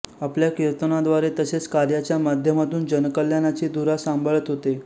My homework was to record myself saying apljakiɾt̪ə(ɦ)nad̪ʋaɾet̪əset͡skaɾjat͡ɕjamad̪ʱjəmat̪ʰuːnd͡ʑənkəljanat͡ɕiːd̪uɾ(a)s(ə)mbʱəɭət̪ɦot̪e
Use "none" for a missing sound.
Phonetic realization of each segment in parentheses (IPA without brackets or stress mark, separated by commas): none, a, a